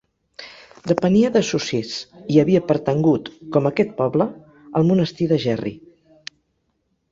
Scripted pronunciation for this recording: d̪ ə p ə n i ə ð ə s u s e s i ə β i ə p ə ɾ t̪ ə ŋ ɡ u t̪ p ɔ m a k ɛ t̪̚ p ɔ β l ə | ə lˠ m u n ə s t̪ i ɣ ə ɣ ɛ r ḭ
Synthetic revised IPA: d̪ ə p ə n i ə ð ə s u s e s i ə β i ə p ə ɾ t̪ ə ŋ ɡ u t̪ k ɔ m ə k ɛ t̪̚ p ɔ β l ə | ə lˠ m u n ə s t̪ i ð ə ʒ ɛ r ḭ